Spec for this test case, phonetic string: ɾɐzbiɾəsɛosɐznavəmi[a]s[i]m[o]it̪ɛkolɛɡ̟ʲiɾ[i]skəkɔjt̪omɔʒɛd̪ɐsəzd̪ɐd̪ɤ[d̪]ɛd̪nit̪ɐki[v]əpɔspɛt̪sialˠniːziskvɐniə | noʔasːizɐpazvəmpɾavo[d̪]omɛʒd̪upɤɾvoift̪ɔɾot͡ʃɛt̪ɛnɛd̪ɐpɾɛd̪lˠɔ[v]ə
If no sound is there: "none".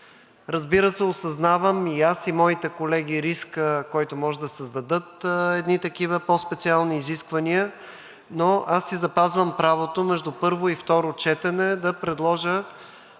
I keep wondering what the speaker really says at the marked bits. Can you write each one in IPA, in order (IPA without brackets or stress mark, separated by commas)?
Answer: a, i, ɔ, i, t̪, v, t̪, ʒ